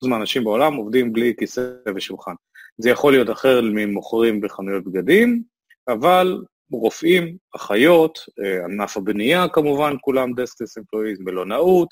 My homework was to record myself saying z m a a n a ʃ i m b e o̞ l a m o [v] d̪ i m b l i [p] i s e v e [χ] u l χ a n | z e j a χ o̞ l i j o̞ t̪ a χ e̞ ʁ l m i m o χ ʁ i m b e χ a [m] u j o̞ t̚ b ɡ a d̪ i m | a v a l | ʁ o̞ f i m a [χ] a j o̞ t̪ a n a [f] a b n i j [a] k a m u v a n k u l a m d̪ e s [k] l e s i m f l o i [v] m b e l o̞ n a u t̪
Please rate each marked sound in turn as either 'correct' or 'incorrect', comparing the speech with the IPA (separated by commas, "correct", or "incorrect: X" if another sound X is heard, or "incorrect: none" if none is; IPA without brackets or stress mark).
correct, incorrect: k, incorrect: ʃ, incorrect: n, correct, correct, correct, correct, incorrect: z